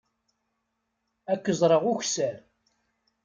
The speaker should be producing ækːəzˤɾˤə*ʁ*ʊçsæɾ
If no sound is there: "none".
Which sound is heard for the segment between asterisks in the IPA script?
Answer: ʁ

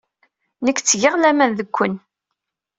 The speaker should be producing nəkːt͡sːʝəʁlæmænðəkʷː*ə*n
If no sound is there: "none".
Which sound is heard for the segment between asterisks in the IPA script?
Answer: ə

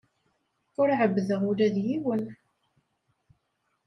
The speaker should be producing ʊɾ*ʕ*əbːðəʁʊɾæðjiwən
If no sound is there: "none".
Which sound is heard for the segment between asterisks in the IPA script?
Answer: ʕ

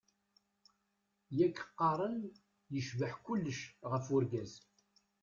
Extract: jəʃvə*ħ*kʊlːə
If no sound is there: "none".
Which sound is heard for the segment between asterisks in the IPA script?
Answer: ħ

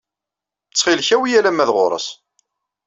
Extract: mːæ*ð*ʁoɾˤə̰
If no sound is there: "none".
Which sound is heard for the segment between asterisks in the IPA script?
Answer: ð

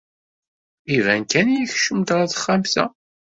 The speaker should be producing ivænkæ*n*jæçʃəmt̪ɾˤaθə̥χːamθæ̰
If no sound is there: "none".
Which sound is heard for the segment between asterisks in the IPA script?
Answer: n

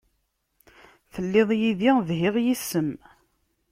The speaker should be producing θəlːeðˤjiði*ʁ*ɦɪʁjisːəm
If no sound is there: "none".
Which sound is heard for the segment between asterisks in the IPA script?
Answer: ð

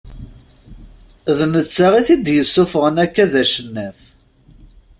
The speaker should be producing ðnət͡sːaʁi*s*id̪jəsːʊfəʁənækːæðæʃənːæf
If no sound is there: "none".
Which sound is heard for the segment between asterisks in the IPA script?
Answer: θ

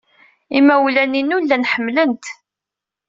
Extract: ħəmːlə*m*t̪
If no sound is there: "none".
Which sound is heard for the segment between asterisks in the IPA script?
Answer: n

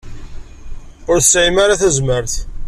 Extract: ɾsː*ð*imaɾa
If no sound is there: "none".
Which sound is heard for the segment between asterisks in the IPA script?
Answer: ʕ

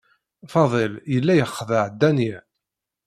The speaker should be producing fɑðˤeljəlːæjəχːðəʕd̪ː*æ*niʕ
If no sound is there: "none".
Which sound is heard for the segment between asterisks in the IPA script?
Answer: æ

